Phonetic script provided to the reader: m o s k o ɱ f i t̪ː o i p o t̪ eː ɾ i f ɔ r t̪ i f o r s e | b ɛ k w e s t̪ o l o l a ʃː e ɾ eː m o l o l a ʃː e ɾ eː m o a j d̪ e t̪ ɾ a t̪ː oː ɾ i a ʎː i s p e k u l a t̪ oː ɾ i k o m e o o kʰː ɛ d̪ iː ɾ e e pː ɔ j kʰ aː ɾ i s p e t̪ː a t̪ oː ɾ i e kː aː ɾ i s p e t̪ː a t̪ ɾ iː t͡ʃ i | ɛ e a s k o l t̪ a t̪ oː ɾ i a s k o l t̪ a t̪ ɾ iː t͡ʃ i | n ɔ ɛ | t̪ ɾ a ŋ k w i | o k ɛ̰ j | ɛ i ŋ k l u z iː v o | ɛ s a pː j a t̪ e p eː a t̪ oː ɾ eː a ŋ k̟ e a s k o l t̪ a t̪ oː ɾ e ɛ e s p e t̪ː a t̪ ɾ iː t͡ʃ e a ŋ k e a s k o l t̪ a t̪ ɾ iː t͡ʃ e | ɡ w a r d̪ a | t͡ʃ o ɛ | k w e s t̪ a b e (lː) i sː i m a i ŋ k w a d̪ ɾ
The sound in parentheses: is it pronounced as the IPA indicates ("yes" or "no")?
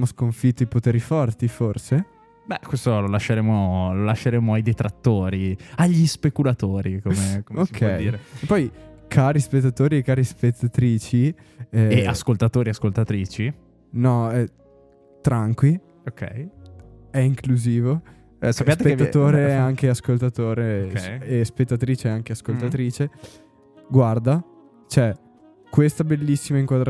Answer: yes